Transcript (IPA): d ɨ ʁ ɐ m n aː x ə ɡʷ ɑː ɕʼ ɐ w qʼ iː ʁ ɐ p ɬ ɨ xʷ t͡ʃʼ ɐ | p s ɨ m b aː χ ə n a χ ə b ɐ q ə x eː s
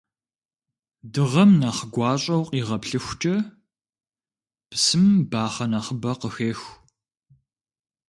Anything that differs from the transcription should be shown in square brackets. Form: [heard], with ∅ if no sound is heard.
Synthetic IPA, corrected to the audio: d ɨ ʁ ɐ m n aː [χ] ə ɡʷ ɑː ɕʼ ɐ w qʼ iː ʁ ɐ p ɬ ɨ xʷ t͡ʃʼ ɐ | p s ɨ m b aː χ [ɐ] n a χ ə b ɐ q ə x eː [x]